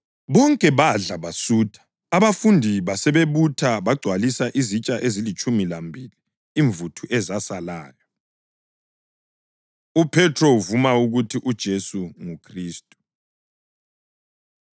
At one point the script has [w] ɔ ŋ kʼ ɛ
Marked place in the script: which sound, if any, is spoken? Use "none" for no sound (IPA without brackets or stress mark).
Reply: β